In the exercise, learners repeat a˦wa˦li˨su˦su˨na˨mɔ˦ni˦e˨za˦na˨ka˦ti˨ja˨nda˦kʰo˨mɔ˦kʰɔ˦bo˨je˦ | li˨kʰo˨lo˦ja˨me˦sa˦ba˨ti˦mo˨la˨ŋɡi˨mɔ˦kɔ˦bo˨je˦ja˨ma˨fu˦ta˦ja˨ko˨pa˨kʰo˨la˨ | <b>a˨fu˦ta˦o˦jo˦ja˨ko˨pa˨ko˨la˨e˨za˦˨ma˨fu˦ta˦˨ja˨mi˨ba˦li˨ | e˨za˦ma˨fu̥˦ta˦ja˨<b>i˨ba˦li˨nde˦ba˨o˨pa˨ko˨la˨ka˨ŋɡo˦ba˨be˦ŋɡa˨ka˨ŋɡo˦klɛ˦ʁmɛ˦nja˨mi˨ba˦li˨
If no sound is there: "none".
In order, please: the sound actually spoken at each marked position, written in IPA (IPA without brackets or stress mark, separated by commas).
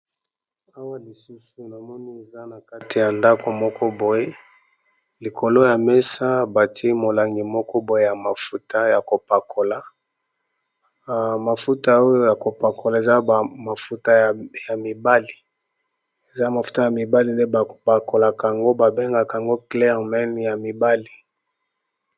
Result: m, m